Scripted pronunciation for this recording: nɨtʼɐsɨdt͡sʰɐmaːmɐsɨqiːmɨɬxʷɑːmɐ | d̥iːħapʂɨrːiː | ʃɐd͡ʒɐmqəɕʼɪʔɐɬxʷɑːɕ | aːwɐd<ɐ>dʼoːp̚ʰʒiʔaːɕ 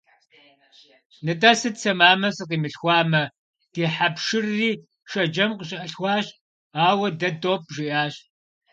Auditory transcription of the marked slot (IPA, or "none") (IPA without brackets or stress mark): ɐ